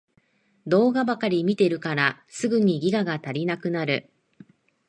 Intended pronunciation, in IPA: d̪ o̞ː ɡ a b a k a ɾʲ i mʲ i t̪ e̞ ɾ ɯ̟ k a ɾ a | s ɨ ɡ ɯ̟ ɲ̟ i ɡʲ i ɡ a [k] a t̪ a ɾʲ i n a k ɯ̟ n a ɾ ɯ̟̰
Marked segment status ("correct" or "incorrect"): incorrect